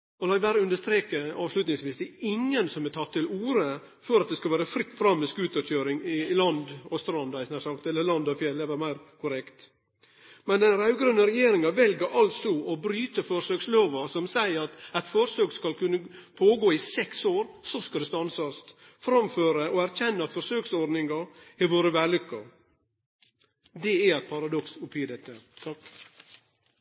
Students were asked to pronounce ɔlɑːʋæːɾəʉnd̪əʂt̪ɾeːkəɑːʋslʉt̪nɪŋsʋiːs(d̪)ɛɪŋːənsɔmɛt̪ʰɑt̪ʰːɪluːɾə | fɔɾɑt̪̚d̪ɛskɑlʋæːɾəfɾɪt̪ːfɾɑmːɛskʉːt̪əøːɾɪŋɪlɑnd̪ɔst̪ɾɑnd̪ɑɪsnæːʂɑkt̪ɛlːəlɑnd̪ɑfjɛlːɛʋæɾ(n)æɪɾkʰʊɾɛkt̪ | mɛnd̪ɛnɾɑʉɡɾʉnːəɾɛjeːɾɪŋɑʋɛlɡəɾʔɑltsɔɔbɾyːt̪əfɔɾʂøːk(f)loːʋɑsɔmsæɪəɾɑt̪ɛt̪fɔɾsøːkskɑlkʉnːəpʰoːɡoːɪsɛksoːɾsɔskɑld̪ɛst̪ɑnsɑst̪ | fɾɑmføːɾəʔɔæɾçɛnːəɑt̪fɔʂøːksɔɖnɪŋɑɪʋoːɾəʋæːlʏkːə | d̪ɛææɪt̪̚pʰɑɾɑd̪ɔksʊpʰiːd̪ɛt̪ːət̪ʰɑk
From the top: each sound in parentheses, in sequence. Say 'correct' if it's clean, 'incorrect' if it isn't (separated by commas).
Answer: correct, incorrect, incorrect